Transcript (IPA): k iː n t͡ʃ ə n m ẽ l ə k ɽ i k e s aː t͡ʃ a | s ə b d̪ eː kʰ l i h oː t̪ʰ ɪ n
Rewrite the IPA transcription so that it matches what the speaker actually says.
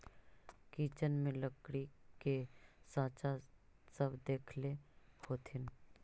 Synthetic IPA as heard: k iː t͡ʃ ə n m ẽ l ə k ɽ i k e s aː t͡ʃ a | s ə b d̪ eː kʰ l e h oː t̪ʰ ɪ n